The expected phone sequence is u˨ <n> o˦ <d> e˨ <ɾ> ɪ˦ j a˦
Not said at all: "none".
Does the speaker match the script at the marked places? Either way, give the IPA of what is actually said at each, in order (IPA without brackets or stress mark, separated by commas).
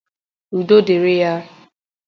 d, d, ɾ